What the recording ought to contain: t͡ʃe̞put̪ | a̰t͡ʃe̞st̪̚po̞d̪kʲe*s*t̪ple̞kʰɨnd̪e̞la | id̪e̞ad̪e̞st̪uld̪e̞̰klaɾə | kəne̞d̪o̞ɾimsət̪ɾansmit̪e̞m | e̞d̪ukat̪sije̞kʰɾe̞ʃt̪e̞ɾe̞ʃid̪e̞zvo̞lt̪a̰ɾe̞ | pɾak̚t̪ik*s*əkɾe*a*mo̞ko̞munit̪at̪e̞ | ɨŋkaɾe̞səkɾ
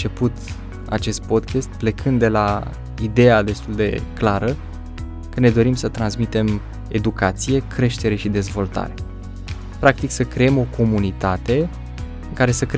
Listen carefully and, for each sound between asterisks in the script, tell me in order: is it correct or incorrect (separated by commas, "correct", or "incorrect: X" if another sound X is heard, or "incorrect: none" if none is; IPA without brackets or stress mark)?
correct, correct, incorrect: e